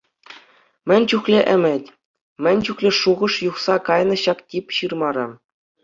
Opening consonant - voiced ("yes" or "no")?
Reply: yes